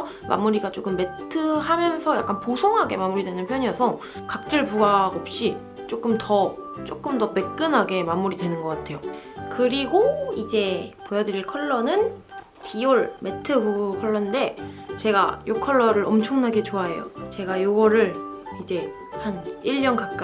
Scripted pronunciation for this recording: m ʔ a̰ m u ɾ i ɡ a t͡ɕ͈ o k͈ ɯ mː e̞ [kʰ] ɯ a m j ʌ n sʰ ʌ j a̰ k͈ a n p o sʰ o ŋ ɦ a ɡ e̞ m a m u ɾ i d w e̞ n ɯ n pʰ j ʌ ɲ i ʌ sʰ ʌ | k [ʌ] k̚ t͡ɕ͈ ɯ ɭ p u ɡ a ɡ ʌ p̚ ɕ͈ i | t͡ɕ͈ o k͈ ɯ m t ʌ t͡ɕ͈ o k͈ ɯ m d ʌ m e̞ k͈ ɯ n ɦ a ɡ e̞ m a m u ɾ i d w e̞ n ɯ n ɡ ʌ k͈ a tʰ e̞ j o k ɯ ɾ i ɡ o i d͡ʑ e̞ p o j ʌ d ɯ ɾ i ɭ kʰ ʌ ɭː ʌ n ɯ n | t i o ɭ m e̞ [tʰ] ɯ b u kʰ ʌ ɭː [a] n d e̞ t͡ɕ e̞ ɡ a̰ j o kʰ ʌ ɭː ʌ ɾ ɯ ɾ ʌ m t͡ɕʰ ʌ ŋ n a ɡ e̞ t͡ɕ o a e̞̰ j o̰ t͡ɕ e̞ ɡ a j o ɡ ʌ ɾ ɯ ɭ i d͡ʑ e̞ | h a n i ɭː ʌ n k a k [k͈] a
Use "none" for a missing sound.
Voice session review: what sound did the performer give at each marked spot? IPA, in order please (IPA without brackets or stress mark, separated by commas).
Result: tʰ, a, tʰ, ʌ, k͈